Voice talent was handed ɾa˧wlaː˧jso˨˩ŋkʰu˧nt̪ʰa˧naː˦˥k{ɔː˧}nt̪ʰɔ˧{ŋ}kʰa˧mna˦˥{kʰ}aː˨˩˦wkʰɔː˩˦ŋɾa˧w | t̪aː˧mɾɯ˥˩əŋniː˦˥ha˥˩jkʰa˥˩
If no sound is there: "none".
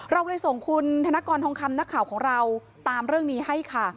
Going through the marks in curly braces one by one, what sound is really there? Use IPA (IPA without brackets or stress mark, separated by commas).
ɔː˧, ŋ, kʰ